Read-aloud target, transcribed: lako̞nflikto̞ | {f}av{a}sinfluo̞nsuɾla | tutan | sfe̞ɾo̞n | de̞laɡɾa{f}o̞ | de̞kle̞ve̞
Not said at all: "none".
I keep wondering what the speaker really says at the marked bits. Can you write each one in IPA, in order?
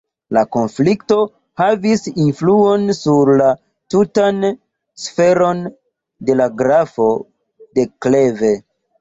h, i, f

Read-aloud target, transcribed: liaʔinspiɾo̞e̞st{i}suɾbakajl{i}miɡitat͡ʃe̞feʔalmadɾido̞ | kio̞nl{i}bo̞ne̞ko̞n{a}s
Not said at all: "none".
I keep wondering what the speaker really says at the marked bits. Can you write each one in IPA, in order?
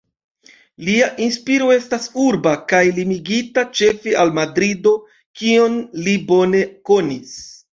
a, i, i, i

